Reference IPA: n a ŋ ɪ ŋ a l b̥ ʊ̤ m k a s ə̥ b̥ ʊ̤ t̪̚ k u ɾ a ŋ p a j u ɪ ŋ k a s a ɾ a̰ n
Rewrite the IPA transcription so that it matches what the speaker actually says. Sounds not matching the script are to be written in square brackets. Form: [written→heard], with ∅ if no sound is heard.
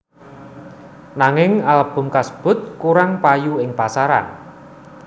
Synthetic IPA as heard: n a ŋ ɪ ŋ a l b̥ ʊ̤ m k a s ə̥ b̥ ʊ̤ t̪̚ k u ɾ a ŋ p a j u ɪ ŋ [k→p] a s a ɾ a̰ n